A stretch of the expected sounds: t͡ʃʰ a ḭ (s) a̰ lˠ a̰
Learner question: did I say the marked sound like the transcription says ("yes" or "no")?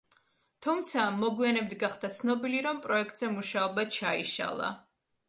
no